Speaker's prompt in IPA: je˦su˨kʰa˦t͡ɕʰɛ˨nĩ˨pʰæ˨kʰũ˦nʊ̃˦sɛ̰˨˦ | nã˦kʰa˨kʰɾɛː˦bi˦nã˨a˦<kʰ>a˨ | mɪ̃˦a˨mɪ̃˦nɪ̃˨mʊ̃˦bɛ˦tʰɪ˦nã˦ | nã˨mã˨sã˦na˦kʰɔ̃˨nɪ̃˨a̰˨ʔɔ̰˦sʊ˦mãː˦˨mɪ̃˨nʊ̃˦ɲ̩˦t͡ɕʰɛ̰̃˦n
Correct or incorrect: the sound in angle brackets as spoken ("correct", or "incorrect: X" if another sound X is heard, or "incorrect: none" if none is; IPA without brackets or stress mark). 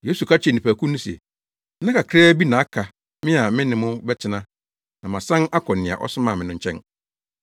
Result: correct